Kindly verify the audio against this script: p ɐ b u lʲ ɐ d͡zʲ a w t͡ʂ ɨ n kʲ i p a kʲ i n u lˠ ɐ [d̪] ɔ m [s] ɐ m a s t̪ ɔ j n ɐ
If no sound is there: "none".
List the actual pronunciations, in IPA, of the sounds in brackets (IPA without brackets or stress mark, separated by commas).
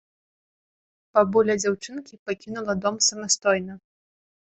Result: d̪, s